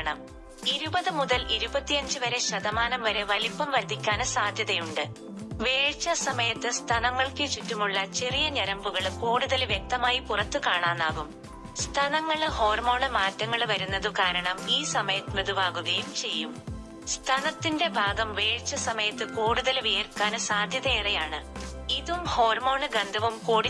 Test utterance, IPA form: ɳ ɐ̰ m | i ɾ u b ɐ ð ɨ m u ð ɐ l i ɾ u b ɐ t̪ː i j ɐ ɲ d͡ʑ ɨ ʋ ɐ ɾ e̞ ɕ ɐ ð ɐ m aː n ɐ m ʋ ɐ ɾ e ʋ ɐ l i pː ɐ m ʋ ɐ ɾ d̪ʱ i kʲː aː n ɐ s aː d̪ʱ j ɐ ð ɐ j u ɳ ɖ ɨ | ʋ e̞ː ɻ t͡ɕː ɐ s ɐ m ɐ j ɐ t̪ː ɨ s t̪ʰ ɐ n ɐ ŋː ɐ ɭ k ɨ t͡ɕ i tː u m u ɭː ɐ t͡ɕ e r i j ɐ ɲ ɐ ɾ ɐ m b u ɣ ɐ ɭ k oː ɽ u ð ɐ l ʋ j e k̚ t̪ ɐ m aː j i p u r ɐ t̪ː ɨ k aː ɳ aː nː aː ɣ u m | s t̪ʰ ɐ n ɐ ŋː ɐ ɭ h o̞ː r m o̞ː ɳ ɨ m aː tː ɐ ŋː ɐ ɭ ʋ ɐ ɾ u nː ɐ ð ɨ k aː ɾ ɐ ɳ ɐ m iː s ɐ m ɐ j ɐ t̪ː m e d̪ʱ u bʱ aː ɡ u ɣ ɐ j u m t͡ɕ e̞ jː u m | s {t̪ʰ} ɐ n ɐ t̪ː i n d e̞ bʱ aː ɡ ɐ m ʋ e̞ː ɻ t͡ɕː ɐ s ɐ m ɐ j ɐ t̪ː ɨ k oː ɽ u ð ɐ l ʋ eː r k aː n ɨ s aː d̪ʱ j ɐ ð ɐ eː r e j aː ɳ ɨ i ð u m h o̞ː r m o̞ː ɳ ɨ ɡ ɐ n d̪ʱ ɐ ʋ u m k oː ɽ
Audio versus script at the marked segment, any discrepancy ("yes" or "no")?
no